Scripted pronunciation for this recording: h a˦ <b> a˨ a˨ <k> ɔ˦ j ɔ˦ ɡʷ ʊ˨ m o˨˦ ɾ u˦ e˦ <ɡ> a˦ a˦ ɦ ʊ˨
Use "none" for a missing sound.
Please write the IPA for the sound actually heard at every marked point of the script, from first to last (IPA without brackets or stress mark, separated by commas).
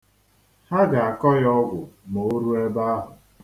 ɡ, k, b